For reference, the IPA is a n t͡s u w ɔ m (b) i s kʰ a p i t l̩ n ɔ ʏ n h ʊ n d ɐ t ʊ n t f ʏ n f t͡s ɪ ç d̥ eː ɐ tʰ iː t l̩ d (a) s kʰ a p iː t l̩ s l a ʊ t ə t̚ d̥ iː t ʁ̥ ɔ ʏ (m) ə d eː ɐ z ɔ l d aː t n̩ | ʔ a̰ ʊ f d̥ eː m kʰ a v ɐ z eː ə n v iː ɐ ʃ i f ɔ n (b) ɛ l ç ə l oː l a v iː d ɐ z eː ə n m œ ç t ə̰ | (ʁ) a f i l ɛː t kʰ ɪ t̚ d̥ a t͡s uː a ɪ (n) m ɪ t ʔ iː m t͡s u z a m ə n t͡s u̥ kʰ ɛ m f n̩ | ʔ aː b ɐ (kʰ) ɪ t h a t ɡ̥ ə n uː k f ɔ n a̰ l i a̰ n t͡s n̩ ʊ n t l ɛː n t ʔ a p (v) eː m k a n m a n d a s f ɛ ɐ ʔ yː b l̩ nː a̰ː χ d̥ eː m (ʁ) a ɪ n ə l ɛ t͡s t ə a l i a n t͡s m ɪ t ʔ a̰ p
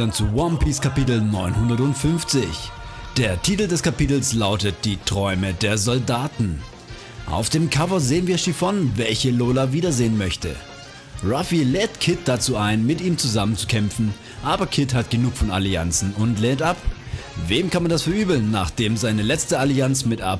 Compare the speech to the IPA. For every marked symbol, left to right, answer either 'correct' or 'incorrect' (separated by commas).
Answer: incorrect, incorrect, correct, incorrect, correct, correct, correct, correct, incorrect